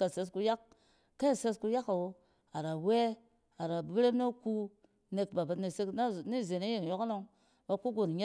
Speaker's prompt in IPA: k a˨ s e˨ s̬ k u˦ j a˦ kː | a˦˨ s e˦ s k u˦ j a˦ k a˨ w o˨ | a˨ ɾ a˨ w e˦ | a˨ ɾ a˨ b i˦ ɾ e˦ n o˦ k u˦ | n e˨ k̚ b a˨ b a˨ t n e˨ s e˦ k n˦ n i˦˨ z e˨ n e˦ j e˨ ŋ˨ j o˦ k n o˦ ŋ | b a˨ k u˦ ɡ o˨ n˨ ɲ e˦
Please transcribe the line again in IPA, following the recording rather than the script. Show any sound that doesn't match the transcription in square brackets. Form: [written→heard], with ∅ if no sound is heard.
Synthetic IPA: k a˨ s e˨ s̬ k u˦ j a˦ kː | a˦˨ s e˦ s k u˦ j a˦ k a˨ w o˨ | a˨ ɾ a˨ w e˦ | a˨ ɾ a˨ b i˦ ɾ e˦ n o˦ k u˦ | n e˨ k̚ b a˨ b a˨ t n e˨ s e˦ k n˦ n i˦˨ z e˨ n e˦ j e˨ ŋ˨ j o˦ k n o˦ ŋ | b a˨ k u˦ ɡ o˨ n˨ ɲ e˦